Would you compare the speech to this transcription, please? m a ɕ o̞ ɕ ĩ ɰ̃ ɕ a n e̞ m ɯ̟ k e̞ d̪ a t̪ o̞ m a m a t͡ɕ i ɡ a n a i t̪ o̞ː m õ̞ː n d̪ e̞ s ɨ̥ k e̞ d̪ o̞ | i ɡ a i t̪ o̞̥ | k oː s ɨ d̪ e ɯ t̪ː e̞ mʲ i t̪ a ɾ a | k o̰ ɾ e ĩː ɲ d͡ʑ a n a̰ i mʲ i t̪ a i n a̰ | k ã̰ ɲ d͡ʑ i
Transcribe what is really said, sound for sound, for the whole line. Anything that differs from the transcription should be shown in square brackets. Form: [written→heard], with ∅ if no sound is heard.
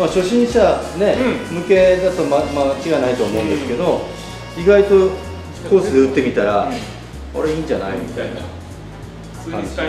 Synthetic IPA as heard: m a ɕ o̞ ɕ ĩ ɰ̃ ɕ a n e̞ m ɯ̟ k e̞ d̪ a t̪ o̞ m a m a t͡ɕ i ɡ a n a i t̪ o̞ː m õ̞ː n d̪ e̞ s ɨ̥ k e̞ d̪ o̞ | i ɡ a i t̪ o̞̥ | k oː s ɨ d̪ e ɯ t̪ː e̞ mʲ i t̪ a ɾ a | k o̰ ɾ e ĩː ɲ d͡ʑ a n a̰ i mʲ i t̪ a i n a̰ | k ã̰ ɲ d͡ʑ i